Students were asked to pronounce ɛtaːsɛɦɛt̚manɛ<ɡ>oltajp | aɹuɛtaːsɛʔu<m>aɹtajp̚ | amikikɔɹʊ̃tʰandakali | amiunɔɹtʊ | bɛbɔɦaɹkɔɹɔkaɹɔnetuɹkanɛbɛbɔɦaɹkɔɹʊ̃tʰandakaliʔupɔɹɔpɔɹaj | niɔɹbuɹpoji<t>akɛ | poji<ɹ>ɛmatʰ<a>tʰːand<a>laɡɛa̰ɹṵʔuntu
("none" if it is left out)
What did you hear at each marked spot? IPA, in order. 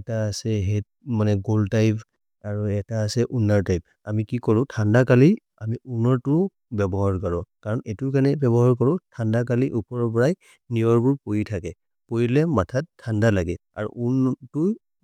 ɡ, n, tʰ, l, a, a

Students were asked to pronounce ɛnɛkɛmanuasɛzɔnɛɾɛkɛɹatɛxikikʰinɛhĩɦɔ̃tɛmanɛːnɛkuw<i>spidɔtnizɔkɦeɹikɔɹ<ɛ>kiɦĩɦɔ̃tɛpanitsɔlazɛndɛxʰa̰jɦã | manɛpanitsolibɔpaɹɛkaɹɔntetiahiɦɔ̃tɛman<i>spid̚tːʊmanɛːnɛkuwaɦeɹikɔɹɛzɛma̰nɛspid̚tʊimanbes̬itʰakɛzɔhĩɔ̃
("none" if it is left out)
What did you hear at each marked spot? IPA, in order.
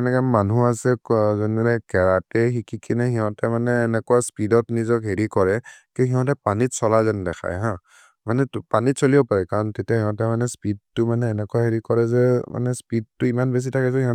a, ɛ, ɛ

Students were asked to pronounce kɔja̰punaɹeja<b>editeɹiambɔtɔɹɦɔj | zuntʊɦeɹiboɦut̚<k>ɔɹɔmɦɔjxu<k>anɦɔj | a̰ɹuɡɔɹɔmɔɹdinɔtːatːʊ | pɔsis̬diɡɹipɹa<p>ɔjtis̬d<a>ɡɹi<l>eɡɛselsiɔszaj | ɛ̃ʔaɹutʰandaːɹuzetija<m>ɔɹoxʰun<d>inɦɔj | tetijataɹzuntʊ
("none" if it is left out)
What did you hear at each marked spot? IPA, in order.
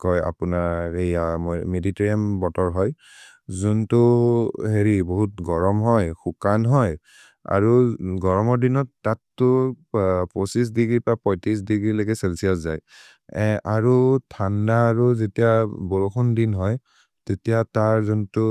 m, ɡ, k, p, i, l, b, d

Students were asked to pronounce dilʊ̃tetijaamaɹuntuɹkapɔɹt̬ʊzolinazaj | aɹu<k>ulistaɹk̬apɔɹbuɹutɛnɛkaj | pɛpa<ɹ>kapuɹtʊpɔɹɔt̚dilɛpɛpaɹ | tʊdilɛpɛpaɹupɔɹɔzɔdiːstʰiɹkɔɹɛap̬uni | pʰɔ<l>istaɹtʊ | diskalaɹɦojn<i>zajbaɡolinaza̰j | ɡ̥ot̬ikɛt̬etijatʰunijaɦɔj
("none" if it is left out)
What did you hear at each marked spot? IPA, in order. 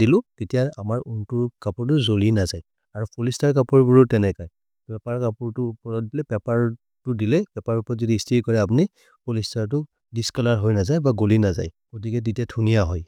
p, ɹ, l, a

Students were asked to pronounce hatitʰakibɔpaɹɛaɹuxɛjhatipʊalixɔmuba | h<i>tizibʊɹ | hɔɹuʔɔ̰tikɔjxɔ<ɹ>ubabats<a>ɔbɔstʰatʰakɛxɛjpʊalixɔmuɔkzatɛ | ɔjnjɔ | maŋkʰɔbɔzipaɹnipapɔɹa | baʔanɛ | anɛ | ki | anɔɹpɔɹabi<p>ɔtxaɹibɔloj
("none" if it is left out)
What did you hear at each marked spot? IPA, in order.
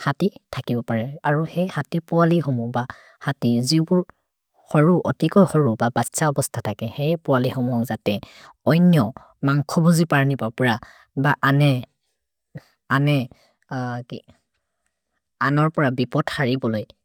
a, ɹ, a, p

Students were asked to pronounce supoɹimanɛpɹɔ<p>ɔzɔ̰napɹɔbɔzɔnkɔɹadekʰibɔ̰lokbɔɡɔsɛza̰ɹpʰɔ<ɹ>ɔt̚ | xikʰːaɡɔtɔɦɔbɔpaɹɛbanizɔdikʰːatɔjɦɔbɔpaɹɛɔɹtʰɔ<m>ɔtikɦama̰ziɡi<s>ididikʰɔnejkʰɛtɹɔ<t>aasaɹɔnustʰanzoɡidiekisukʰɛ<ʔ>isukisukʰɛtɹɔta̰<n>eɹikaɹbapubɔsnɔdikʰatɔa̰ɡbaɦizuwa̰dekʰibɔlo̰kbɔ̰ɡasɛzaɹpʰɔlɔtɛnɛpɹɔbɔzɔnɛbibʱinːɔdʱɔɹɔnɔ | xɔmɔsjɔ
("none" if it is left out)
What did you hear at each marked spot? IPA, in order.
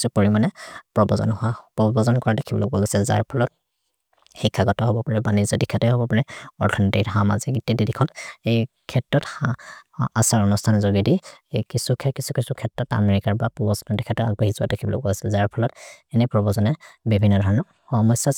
b, l, n, t, t, k, m

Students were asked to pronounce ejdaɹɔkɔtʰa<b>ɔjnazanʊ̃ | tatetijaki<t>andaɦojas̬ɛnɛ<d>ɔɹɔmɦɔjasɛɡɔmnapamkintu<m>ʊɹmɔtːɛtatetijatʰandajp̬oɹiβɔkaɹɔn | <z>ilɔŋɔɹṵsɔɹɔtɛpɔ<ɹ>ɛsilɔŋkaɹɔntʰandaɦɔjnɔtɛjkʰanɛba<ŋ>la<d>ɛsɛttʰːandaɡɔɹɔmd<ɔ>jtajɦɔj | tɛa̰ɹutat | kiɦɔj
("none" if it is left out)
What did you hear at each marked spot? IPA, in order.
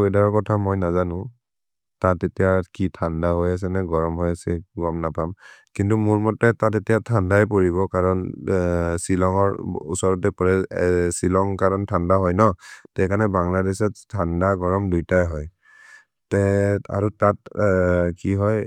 m, tʰ, ɡ, m, s, ɹ, ŋ, d, u

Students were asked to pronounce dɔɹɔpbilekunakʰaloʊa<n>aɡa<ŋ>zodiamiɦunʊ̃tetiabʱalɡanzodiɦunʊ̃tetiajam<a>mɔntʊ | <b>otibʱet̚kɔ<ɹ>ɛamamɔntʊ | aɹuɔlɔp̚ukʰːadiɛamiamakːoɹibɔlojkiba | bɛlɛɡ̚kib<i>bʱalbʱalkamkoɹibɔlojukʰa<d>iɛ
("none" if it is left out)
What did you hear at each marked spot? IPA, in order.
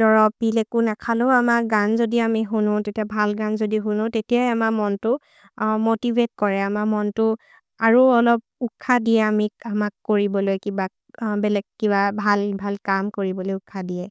m, n, a, m, ɹ, a, d

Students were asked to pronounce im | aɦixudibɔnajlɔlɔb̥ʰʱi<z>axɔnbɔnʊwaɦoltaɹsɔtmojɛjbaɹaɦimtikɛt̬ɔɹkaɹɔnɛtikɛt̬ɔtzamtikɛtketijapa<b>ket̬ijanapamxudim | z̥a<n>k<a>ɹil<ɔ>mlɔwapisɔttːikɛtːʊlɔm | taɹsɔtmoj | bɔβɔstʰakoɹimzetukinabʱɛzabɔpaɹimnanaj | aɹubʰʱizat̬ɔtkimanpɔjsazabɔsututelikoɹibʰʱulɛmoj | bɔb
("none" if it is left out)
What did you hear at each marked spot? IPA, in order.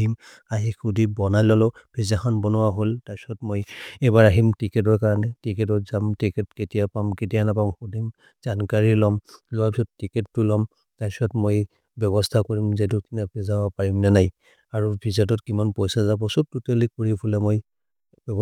z, m, n, a, ɔ

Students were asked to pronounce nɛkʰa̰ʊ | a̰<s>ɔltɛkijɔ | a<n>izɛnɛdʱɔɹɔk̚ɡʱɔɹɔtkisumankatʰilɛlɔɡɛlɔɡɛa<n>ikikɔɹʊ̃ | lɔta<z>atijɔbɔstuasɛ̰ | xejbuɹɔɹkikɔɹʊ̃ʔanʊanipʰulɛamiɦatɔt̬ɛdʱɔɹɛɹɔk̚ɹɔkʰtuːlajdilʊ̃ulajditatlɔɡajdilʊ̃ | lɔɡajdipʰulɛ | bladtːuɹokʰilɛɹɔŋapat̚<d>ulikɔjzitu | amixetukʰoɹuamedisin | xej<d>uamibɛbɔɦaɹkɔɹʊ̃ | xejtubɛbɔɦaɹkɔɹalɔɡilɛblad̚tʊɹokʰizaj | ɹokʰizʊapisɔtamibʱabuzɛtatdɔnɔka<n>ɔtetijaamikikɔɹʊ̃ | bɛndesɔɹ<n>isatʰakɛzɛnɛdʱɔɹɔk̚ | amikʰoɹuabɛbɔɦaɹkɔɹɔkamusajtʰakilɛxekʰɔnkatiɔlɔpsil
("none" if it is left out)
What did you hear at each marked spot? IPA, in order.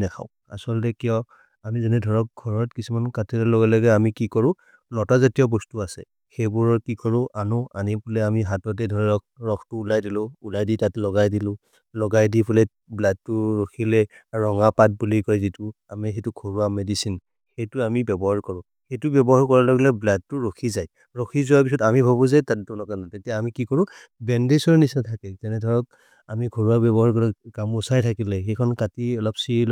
s, m, m, z, b, t, n, n

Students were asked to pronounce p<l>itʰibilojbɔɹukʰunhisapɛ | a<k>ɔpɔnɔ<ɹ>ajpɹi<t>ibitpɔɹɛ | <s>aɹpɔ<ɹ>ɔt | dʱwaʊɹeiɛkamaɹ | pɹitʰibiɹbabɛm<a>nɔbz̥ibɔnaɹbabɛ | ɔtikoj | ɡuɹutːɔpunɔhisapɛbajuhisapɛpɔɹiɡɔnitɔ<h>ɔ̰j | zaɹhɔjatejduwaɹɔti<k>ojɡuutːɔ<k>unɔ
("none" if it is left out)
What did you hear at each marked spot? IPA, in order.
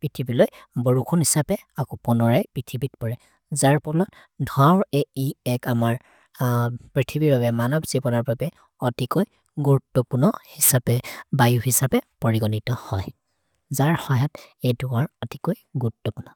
ɹ, k, ɹ, tʰ, z, l, a, h, k, p

